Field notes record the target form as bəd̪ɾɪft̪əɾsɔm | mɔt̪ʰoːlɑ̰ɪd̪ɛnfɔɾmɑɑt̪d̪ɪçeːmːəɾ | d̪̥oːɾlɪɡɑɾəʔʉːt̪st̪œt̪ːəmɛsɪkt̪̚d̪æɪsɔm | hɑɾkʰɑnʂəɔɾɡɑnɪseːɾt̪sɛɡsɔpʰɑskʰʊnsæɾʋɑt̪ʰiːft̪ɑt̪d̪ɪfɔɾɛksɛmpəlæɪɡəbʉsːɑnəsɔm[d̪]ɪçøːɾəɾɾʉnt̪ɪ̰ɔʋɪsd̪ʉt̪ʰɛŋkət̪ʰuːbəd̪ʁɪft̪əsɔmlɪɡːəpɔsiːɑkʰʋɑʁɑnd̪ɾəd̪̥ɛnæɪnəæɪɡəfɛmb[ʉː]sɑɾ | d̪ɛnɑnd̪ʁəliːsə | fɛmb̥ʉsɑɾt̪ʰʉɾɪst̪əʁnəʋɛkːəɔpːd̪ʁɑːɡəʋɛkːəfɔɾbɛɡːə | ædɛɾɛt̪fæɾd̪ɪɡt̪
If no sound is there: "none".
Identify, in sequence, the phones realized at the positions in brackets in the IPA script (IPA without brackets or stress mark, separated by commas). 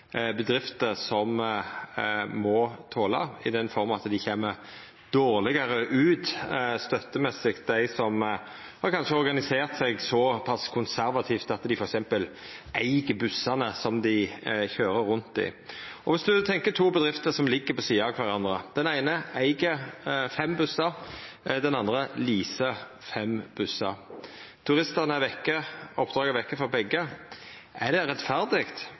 d̪, ʉ